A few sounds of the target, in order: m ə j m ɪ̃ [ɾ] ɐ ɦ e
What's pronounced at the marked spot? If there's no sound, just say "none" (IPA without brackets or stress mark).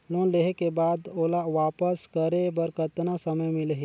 l